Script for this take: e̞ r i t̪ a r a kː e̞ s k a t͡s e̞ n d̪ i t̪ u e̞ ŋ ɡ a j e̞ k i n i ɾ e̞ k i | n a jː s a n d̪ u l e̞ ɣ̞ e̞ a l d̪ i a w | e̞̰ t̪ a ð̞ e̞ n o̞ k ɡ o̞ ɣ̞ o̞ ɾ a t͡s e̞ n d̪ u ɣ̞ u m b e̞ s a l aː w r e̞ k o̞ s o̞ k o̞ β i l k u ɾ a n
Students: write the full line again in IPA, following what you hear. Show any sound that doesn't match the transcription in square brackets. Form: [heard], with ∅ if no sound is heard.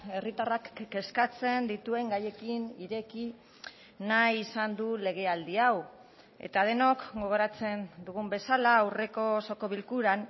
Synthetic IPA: e̞ r i t̪ a r a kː e̞ s k a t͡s e̞ n d̪ i t̪ u e̞ ŋ ɡ a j e̞ k i n i ɾ e̞ k i | n a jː s a n d̪ u l e̞ ɣ̞ e̞ a l d̪ i a w | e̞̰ t̪ a ð̞ e̞ n o̞ k ɡ o̞ ɣ̞ o̞ ɾ a t͡s e̞ n d̪ u ɣ̞ u m b e̞ s a l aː w r e̞ k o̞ s o̞ k o̞ β i l k u ɾ a n